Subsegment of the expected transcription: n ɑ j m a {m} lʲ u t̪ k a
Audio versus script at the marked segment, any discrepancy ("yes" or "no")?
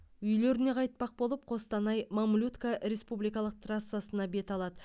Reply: no